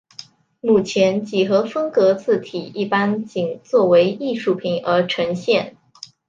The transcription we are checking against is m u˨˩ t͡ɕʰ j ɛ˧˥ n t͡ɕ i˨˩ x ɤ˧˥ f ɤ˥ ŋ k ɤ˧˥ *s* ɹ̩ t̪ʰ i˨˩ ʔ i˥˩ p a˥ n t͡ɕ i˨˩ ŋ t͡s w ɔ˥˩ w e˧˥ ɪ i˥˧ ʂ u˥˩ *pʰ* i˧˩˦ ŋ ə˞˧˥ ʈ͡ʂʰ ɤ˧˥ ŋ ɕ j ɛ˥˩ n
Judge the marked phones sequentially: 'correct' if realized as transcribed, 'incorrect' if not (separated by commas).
incorrect, correct